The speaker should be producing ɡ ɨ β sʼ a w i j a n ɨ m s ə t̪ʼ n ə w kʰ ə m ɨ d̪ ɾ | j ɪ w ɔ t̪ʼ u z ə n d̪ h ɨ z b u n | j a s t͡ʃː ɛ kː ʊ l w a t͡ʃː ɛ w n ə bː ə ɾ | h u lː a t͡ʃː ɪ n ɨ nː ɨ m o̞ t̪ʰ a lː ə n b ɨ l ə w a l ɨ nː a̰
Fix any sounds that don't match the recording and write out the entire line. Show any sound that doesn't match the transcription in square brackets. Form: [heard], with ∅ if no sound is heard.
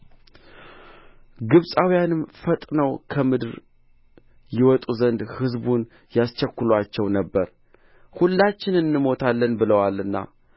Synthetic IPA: ɡ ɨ β sʼ a w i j a n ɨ m [f] ə t̪ʼ n ə w kʰ ə m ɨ d̪ ɾ | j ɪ w ɔ t̪ʼ u z ə n d̪ h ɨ z b u n | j a s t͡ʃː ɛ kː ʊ l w a t͡ʃː ɛ w n ə bː ə ɾ | h u lː a t͡ʃː ɪ n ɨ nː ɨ m o̞ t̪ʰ a lː ə n b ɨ l ə w a l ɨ nː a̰

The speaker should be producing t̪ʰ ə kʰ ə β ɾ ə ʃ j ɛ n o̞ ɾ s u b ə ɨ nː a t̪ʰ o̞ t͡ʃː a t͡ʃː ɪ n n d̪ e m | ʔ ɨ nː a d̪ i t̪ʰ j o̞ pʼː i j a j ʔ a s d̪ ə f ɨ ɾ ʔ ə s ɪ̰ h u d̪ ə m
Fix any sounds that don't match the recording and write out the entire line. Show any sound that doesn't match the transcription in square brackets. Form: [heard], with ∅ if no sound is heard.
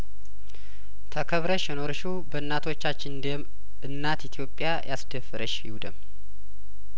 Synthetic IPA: t̪ʰ ə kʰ ə β ɾ ə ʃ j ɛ n o̞ ɾ [ʃ] u b ə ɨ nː a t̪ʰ o̞ t͡ʃː a t͡ʃː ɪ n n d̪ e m | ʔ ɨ nː a [t̪] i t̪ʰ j o̞ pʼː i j a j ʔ a s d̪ ə f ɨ ɾ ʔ ə [ʃ] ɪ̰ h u d̪ ə m

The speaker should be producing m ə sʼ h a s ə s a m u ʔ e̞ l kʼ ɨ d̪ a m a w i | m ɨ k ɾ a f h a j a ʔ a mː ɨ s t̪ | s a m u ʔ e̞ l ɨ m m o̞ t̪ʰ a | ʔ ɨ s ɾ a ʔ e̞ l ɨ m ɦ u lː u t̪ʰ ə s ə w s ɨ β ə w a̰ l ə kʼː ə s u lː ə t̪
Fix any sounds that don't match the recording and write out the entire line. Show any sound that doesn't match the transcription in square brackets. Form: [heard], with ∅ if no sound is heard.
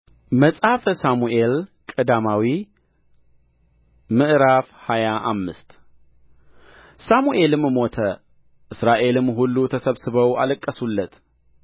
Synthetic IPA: m ə sʼ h a [f] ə s a m u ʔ e̞ l kʼ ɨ d̪ a m a w i | m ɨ [ʔ] ɾ a f h a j a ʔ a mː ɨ s t̪ | s a m u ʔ e̞ l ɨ m m o̞ t̪ʰ [ə] | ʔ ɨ s ɾ a ʔ e̞ l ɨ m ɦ u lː u t̪ʰ ə s ə [β] s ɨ β ə w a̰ l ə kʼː ə s u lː ə t̪

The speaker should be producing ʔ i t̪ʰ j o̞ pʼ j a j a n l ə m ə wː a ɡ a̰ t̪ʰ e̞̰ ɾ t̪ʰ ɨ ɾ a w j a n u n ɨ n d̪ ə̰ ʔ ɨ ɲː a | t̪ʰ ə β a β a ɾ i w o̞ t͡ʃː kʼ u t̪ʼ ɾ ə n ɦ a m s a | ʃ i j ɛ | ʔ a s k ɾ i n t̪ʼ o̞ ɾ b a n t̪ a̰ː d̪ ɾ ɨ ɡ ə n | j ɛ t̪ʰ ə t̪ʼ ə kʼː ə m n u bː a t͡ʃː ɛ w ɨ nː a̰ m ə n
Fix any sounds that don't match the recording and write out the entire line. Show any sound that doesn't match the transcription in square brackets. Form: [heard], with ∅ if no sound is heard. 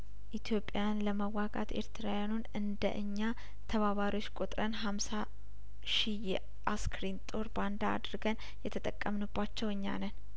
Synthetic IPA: ʔ i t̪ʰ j o̞ pʼ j a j a n l ə m ə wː a ɡ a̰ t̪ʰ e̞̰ ɾ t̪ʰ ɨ ɾ a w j a n u n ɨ n d̪ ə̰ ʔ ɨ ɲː a | t̪ʰ ə β a β a ɾ i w o̞ t͡ʃː kʼ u t̪ʼ ɾ ə n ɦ a m s a | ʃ i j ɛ | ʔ a s k ɾ i n t̪ʼ o̞ ɾ b a n [d̪] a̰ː d̪ ɾ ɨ ɡ ə n | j ɛ t̪ʰ ə t̪ʼ ə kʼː ə m n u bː a t͡ʃː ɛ w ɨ [ɲː] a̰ [n] ə n

